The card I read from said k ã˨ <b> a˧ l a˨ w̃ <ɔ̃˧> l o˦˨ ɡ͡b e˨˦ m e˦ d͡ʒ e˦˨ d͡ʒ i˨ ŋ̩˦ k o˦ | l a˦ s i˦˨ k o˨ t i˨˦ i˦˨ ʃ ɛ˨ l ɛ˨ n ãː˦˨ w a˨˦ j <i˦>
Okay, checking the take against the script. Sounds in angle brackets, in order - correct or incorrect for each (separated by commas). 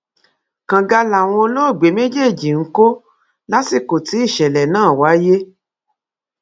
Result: incorrect, correct, incorrect